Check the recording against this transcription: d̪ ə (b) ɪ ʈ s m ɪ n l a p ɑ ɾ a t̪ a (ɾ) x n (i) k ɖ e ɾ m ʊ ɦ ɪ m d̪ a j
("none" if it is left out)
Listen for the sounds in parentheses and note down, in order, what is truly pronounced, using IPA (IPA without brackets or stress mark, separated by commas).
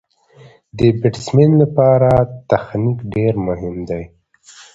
b, none, i